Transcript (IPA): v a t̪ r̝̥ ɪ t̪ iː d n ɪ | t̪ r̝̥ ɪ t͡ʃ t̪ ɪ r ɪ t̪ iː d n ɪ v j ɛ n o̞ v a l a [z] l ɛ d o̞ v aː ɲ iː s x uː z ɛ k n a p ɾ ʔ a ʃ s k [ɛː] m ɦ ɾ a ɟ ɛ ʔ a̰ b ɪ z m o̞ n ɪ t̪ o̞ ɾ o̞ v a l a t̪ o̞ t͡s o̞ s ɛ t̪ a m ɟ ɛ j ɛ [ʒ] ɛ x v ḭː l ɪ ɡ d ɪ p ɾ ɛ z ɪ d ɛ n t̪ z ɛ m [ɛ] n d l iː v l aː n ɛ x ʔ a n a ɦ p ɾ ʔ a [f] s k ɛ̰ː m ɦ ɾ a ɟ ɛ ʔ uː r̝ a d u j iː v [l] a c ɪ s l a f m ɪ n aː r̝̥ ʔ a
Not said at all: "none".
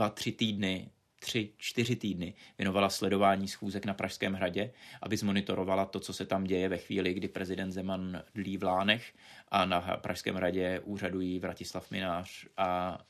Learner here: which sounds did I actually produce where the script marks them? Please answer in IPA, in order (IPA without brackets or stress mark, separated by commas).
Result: s, ɛː, v, a, ʃ, ɾ